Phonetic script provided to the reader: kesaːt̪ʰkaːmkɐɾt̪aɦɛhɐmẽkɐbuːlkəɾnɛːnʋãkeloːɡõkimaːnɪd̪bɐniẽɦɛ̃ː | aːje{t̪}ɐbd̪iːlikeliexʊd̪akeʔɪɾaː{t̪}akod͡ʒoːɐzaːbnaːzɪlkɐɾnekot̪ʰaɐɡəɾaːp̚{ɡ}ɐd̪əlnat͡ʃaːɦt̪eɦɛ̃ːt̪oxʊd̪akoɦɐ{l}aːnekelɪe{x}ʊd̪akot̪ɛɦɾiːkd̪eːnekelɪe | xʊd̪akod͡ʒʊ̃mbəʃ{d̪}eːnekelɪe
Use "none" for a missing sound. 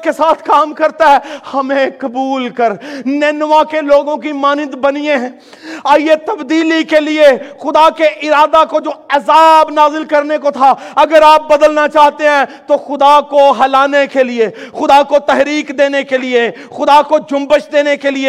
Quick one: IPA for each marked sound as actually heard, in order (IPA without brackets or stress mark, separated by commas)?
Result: t̪, d̪, b, l, x, d̪